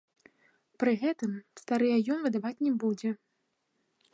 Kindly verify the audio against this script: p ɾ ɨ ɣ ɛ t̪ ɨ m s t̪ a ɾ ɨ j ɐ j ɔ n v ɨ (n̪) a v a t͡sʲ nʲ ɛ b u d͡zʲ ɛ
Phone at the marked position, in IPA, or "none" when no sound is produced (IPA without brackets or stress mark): d̪